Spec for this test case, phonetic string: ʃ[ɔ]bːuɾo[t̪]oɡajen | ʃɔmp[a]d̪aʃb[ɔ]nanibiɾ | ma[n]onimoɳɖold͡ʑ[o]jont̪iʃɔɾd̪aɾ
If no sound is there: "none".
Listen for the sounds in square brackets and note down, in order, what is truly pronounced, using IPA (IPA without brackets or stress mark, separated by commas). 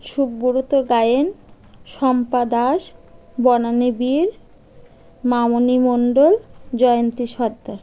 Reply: u, t̪, a, ɔ, m, ɔ